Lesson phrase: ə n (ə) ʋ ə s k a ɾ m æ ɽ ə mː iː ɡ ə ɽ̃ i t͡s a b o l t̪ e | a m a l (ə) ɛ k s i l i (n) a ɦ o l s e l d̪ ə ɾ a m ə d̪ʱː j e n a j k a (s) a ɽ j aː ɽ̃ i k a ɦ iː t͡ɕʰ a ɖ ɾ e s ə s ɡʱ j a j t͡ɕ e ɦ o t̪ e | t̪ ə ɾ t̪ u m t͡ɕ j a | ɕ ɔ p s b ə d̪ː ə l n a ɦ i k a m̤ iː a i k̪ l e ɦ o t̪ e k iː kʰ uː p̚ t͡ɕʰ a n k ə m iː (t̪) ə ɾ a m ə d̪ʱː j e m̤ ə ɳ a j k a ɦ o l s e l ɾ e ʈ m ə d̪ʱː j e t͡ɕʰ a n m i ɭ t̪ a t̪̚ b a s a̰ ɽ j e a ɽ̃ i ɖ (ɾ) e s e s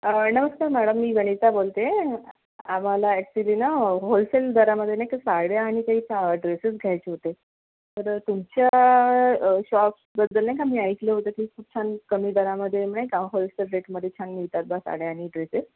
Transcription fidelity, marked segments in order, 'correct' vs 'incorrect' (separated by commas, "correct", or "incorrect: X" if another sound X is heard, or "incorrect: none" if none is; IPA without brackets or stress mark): correct, incorrect: a, correct, correct, incorrect: d̪, correct